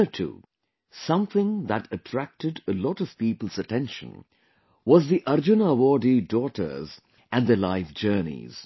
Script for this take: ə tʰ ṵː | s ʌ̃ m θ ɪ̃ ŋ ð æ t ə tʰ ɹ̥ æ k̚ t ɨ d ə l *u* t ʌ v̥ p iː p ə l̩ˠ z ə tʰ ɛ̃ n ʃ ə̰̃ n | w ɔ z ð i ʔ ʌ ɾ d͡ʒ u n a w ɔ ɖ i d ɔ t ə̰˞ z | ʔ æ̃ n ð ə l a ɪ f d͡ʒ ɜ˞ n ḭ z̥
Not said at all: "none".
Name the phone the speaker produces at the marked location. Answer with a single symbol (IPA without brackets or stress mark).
ɔ